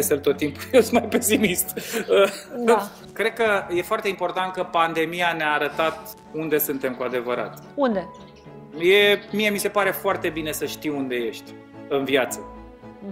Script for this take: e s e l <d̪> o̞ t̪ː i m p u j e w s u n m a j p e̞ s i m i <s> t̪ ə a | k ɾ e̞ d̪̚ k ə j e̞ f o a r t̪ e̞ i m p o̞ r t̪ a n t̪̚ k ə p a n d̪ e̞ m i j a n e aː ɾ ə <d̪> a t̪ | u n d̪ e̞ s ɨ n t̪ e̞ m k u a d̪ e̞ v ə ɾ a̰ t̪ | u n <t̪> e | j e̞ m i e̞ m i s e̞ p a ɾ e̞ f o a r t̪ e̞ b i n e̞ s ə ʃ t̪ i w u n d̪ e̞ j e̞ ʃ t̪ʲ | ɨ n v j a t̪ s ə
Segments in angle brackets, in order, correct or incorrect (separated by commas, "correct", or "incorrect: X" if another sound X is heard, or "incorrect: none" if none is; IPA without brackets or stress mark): incorrect: t̪, correct, incorrect: t̪, incorrect: d̪